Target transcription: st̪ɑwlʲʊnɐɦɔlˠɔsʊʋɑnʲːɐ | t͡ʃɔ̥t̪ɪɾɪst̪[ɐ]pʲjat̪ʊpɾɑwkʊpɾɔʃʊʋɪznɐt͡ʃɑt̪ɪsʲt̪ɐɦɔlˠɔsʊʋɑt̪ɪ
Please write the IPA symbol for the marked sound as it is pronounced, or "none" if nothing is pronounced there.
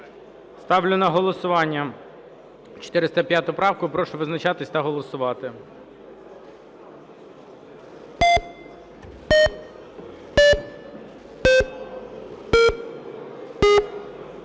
ɐ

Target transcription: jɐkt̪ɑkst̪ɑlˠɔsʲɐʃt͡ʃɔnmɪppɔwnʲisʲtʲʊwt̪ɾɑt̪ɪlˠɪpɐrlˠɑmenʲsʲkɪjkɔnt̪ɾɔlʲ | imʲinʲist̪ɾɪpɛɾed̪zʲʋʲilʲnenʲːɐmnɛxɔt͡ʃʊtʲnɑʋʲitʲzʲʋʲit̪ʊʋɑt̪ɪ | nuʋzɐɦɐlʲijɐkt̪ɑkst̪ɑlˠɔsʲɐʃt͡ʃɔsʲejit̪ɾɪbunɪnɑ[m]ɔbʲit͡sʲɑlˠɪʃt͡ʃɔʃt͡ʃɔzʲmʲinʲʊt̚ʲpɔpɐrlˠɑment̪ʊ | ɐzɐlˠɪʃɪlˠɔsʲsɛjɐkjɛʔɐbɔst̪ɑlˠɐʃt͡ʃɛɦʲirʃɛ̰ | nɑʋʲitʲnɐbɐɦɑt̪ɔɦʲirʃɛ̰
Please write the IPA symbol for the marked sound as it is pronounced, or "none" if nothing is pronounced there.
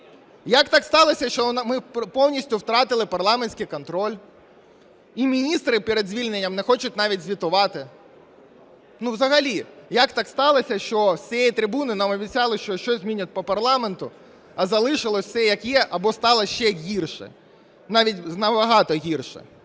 m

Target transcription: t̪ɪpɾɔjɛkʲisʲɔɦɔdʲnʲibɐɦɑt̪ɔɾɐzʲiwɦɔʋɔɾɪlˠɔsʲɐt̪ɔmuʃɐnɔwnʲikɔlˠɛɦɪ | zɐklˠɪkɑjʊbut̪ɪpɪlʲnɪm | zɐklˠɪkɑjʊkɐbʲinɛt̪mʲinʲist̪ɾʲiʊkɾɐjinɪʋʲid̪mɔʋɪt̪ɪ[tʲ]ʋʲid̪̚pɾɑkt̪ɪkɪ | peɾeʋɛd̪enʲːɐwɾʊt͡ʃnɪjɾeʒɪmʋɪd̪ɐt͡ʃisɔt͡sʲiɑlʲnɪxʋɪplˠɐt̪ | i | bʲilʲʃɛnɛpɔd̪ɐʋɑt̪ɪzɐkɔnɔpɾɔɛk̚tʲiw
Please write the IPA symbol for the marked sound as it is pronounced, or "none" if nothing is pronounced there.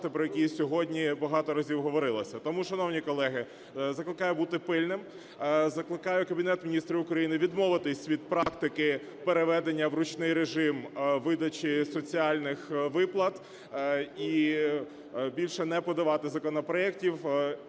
sʲ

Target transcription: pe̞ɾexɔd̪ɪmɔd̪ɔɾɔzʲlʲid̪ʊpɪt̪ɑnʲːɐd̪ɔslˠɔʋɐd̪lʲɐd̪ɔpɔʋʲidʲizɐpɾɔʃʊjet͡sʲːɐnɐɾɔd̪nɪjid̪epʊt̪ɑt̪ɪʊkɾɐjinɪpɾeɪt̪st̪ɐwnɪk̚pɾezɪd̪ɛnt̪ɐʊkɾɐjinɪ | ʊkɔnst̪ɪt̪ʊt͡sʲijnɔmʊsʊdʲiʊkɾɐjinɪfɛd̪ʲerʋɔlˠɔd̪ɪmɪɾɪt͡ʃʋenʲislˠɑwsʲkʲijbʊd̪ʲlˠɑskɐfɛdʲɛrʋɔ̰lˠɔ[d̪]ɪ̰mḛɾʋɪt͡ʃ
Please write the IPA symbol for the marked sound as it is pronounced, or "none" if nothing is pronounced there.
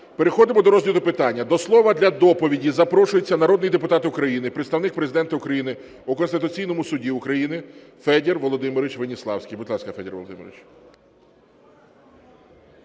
d̪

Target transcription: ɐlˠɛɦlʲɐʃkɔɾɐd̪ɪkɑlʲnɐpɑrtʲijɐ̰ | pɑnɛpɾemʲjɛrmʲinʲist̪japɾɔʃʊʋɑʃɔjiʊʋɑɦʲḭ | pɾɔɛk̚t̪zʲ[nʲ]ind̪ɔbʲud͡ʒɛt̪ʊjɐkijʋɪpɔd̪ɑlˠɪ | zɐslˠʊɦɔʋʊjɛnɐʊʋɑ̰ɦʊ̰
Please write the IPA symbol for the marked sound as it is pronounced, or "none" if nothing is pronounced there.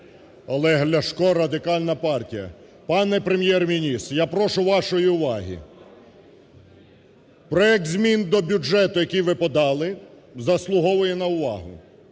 mʲ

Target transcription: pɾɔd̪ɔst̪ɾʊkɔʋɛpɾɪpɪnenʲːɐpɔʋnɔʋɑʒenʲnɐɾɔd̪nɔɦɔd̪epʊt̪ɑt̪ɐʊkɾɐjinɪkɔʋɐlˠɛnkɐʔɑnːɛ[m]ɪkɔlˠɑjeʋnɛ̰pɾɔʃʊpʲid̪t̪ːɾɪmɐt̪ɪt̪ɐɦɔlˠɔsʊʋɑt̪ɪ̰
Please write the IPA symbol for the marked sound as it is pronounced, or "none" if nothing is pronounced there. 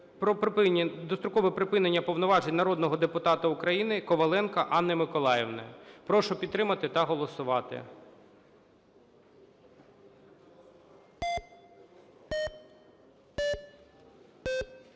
m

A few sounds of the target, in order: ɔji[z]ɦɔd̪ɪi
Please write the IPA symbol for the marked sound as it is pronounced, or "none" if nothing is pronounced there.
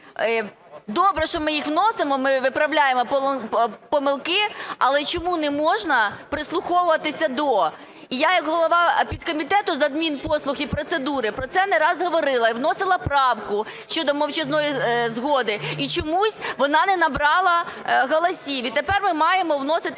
z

